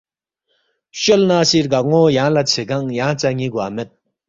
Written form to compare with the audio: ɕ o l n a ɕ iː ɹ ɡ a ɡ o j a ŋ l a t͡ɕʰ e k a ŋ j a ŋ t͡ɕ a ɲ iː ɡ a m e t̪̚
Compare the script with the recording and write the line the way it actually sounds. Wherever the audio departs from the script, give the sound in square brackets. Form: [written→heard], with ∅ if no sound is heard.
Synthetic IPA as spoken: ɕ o l n a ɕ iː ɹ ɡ a [ɡ→ŋ] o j a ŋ l a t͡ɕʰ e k a ŋ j a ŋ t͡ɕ a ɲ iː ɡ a m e t̪̚

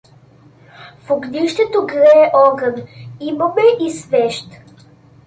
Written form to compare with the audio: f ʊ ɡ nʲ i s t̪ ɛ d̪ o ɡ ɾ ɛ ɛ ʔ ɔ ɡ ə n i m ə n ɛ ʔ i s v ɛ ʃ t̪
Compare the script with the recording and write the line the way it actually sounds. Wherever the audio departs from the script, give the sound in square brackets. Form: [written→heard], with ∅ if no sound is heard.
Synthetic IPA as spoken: f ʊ ɡ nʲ i [s→ʃ] t̪ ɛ [d̪→t̪] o ɡ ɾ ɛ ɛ ʔ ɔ ɡ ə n i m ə [n→m] ɛ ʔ i s v ɛ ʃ t̪

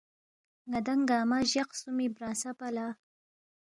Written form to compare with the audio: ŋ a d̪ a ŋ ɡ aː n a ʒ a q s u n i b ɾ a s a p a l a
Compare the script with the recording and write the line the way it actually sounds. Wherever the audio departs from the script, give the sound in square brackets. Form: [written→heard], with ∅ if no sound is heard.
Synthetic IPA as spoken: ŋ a d̪ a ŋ ɡ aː [n→m] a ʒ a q s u [n→m] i b ɾ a s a p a l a

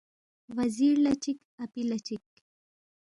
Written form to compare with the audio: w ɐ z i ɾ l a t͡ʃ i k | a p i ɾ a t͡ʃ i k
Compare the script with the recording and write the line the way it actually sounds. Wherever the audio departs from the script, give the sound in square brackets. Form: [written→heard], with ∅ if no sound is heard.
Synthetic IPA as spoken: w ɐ z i ɾ l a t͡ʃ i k | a p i [ɾ→l] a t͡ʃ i k

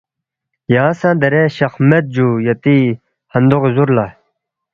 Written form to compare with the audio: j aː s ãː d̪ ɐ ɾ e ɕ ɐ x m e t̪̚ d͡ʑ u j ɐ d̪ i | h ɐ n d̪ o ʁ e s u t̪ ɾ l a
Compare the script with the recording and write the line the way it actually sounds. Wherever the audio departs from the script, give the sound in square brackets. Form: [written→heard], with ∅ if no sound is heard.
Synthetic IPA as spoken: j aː s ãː d̪ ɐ ɾ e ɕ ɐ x m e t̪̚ d͡ʑ u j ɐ [d̪→t̪] i | h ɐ n d̪ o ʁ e [s→z] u [t̪→∅] ɾ l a

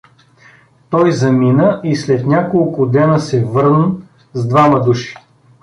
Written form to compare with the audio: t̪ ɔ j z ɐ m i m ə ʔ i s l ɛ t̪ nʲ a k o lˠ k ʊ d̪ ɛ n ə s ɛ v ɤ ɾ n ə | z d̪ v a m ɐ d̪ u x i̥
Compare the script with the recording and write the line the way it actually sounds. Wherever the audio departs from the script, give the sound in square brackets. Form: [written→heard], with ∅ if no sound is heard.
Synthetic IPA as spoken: t̪ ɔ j z ɐ m i [m→n] ə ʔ i s l ɛ t̪ nʲ a k o lˠ k ʊ d̪ ɛ n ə s ɛ v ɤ ɾ n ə | z d̪ v a m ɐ d̪ u [x→ʃ] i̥

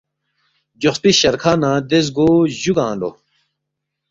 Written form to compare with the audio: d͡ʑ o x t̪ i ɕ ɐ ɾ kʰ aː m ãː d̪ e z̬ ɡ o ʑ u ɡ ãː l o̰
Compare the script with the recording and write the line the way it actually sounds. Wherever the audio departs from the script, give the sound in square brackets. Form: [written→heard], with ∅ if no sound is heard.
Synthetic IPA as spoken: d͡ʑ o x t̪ i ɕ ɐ ɾ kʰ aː [m→n] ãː d̪ e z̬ ɡ o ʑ u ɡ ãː l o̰

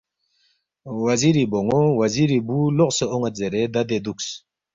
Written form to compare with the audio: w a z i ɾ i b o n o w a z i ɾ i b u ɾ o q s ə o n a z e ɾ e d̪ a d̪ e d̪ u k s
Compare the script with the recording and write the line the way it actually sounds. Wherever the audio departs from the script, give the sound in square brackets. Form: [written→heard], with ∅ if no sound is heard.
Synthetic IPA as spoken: w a z i ɾ i b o [n→ŋ] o w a z i ɾ i b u [ɾ→l] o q s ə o [n→ŋ] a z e ɾ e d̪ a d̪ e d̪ u k s

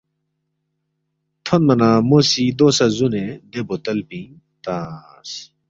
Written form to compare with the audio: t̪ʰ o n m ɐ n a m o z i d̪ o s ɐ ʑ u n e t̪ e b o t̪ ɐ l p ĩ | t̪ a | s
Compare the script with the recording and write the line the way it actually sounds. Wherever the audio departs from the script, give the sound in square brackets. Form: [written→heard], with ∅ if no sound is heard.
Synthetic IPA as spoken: t̪ʰ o n m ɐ n a m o [z→s] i d̪ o s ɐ [ʑ→z] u n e [t̪→d̪] e b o t̪ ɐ l p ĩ | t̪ a | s

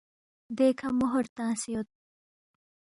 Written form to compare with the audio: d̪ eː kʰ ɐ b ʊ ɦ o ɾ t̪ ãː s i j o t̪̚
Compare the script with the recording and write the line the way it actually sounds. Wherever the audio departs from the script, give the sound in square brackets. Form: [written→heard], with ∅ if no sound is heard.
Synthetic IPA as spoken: d̪ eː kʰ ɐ [b→m] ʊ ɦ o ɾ t̪ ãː s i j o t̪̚

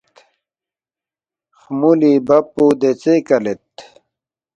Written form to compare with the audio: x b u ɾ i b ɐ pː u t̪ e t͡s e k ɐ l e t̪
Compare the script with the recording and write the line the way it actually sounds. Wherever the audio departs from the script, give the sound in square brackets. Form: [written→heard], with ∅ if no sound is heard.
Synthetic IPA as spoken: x [b→m] u [ɾ→l] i b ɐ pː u [t̪→d̪] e t͡s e k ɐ l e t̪

